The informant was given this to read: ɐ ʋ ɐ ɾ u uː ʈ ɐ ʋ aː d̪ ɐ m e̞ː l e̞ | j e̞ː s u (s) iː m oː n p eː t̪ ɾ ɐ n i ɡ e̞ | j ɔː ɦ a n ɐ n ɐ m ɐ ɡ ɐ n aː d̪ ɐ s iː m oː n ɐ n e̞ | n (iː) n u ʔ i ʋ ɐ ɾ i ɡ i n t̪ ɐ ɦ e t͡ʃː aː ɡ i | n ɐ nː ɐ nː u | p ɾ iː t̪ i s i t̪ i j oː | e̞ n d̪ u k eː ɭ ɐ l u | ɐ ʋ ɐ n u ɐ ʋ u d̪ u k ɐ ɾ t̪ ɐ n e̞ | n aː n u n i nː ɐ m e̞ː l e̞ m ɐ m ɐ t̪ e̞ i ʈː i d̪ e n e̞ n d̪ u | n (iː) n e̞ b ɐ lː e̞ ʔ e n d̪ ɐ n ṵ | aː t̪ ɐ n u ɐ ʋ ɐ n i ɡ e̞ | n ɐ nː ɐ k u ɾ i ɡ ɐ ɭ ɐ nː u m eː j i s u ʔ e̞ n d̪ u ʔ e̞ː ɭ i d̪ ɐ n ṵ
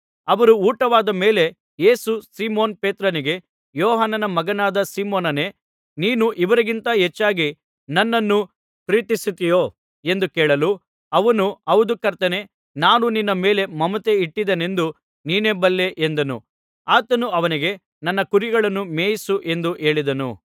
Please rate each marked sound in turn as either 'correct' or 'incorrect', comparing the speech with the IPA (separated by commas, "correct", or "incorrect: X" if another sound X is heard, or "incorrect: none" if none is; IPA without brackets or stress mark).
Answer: correct, correct, correct